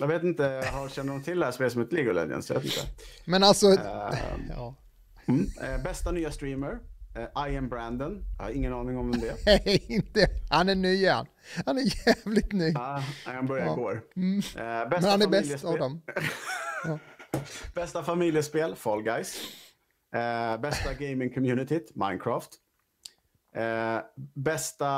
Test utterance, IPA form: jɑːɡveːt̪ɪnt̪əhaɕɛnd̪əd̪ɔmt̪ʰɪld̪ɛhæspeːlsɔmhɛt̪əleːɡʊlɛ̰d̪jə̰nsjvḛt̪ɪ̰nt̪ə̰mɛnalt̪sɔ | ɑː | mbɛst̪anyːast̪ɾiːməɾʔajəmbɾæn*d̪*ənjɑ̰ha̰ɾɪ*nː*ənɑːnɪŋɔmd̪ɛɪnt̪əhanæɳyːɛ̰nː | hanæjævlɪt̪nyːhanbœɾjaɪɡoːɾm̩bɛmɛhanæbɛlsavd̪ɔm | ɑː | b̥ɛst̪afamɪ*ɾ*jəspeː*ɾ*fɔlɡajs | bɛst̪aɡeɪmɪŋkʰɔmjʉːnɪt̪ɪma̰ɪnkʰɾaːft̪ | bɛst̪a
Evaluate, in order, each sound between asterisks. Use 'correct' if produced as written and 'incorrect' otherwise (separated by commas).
correct, incorrect, incorrect, incorrect